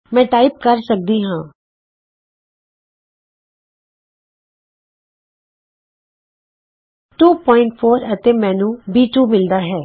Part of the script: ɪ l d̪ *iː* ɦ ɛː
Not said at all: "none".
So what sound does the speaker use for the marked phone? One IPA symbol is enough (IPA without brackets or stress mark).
aː